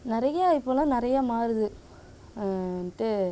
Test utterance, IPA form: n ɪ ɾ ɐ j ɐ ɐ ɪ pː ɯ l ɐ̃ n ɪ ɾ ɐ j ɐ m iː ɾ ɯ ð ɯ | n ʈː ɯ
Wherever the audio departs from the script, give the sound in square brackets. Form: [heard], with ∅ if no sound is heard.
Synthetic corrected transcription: n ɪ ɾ ɐ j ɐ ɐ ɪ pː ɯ l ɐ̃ n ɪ ɾ ɐ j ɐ m [aː] ɾ ɯ ð ɯ | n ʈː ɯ